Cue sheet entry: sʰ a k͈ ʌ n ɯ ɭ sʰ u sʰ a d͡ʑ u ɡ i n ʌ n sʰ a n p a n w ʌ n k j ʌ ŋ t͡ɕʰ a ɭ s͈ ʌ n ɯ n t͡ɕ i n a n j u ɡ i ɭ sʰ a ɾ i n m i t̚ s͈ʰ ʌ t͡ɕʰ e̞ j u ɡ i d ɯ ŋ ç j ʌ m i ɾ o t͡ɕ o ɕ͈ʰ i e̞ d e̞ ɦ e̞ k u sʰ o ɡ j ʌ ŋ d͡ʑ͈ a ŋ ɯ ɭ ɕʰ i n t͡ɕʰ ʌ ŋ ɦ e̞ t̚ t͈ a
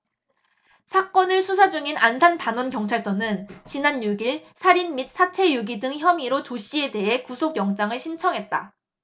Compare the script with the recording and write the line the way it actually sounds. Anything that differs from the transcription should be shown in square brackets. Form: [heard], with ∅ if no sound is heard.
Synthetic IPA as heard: sʰ a k͈ ʌ n ɯ ɭ sʰ u sʰ a d͡ʑ u [ŋ] i n [a] n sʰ a n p a n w ʌ n k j ʌ ŋ t͡ɕʰ a ɭ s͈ ʌ n ɯ n t͡ɕ i n a n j u ɡ i ɭ sʰ a ɾ i n m i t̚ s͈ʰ [a] t͡ɕʰ e̞ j u ɡ i d ɯ ŋ ç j ʌ m i ɾ o t͡ɕ o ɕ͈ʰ i e̞ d e̞ ɦ e̞ k u sʰ o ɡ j ʌ ŋ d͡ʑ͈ a ŋ ɯ ɭ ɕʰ i n t͡ɕʰ ʌ ŋ ɦ e̞ t̚ t͈ a